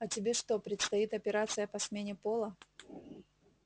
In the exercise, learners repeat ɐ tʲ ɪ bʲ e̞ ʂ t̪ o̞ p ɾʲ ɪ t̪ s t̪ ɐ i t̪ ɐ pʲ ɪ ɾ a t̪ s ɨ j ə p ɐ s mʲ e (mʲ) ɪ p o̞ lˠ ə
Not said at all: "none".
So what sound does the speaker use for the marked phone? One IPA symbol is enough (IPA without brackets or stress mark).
nʲ